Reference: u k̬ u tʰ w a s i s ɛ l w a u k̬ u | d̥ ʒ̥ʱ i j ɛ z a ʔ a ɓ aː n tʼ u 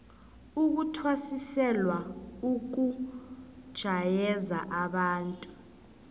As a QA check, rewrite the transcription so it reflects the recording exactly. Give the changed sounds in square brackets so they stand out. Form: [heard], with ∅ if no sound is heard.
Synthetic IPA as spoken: u k̬ u tʰ w a s i s ɛ l w a u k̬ u | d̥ ʒ̥ʱ [a] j ɛ z a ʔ a ɓ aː n tʼ u